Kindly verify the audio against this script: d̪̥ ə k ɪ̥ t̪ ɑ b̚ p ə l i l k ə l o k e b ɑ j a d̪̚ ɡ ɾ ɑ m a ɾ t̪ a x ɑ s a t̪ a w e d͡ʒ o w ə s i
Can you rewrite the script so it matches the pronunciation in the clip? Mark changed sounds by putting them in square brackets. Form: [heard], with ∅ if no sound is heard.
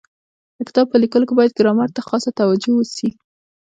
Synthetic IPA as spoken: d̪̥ ə k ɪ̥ t̪ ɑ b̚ p ə l i [∅] k ə l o k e b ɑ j a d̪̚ ɡ ɾ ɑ m a ɾ t̪ a x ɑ s a t̪ a w [a] d͡ʒ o w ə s i